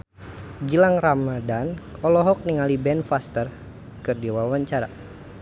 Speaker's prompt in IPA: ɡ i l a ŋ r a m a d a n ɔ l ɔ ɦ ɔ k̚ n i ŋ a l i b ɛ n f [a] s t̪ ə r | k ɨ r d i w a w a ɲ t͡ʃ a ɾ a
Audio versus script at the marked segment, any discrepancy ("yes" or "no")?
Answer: no